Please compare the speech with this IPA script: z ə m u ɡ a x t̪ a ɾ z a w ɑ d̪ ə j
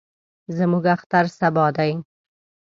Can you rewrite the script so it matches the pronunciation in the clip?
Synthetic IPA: z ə m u ɡ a x t̪ a ɾ s a b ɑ d̪ a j